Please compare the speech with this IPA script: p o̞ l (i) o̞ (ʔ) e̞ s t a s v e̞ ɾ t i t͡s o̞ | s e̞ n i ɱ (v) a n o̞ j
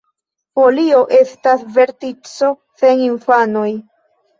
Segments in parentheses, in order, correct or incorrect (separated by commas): correct, correct, incorrect